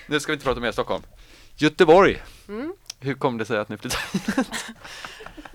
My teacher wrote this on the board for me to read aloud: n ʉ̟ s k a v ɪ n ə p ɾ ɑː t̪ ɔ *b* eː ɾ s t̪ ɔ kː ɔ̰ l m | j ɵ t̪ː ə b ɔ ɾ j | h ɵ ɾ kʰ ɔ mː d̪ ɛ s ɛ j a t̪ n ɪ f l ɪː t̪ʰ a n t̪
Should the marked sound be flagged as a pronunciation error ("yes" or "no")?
yes